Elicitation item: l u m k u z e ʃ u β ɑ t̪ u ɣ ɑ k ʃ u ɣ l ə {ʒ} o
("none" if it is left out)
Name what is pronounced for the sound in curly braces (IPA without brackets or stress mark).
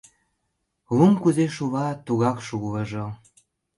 ʒ